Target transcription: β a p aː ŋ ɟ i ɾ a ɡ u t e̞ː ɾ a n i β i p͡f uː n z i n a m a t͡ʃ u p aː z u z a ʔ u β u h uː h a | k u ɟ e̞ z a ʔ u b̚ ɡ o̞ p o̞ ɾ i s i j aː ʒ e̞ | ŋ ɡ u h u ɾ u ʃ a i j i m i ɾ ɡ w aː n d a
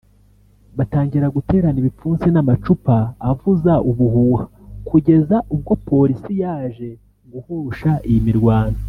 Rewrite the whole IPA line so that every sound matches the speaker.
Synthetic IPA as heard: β a t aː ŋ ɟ i ɾ a ɡ u t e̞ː ɾ a n i β i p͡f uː n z i n a m a t͡ʃ u p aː v u z a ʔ u β u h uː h a | k u ɟ e̞ z a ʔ u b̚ ɡ o̞ p o̞ ɾ i s i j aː ʒ e̞ | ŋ ɡ u h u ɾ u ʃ a i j i m i ɾ ɡ w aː n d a